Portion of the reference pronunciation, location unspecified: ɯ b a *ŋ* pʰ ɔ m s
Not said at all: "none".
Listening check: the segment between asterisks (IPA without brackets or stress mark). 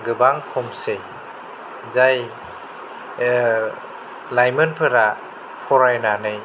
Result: ŋ